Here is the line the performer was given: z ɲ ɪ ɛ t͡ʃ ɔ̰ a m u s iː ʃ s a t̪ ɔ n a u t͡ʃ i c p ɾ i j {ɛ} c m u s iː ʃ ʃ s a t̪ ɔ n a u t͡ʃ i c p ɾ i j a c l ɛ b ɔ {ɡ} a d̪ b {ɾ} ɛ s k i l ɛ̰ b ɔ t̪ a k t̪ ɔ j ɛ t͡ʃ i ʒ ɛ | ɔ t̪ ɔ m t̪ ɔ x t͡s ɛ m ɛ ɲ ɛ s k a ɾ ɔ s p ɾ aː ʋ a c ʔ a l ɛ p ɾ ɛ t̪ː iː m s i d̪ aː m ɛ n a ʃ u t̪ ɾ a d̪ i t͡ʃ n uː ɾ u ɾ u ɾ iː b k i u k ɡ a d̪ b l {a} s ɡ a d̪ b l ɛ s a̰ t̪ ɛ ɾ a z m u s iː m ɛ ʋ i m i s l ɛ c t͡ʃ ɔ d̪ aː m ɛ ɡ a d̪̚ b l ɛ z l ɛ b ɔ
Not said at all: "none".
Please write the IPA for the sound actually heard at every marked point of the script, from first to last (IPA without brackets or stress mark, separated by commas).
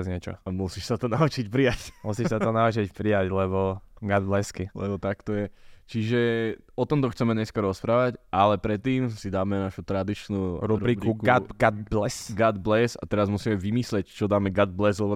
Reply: a, ɡ, l, ɛ